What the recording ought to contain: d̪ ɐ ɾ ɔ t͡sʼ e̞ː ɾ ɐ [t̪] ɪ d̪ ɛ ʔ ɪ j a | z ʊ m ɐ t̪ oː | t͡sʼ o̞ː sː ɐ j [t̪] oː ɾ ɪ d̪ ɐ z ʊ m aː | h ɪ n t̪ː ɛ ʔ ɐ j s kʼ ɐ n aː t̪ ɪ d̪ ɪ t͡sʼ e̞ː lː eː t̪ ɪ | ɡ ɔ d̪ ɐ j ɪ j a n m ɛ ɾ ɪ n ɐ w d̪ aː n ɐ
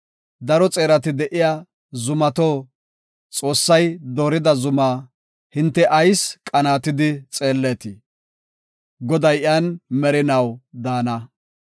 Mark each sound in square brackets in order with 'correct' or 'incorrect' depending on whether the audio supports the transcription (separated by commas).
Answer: correct, incorrect